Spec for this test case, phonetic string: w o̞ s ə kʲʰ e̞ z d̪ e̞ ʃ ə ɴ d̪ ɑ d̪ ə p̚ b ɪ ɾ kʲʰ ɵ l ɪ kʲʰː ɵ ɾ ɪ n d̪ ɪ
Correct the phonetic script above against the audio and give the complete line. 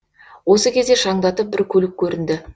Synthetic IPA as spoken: w o̞ s ə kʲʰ e̞ z d̪ e̞ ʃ ɑ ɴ d̪ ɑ t̪ ə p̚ b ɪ ɾ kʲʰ ɵ l ɪ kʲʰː ɵ ɾ ɪ n d̪ ɪ